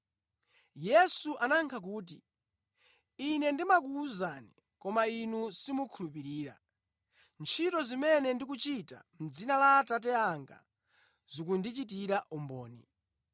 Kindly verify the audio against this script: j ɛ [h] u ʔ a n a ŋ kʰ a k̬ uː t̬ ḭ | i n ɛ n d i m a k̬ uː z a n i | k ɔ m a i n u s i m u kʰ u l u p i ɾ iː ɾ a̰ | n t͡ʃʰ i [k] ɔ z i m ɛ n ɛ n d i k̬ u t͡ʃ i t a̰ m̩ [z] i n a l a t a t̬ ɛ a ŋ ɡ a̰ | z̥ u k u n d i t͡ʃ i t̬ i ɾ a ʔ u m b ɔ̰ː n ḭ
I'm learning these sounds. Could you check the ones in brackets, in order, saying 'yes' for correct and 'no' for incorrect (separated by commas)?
no, no, no